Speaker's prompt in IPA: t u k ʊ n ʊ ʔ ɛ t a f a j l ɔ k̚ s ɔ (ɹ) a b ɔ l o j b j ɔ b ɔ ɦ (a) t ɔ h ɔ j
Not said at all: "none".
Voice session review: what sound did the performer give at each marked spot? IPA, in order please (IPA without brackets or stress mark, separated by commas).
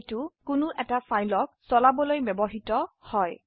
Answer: l, i